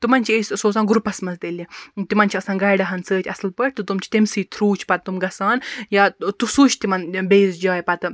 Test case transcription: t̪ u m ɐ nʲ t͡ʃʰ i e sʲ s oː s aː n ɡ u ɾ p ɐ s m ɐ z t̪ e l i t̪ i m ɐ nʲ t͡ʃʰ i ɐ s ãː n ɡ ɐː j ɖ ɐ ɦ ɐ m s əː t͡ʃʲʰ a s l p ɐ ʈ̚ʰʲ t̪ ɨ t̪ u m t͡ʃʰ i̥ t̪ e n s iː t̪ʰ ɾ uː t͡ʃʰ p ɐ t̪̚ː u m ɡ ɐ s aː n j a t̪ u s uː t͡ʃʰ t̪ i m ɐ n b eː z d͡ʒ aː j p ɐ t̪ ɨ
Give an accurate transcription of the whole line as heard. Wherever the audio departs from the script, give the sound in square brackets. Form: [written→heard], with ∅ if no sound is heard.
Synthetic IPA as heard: t̪ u m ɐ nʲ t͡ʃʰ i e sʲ s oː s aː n ɡ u ɾ p ɐ s m ɐ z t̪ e l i t̪ i m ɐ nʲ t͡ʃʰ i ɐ s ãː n ɡ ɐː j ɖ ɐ ɦ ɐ [m→n] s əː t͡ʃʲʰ [a→ɐ] s l p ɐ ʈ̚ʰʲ t̪ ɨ t̪ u m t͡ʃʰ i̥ t̪ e [n→m] s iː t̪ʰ ɾ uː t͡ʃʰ p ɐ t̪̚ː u m ɡ ɐ s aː n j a t̪ u s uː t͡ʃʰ t̪ i m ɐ n b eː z d͡ʒ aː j p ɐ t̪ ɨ